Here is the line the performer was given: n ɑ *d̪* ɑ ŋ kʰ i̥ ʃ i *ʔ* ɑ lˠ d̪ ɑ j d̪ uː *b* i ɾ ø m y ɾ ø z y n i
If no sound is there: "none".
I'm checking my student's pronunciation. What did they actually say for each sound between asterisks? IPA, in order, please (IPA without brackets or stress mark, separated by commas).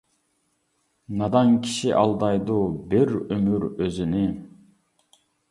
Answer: d̪, ʔ, b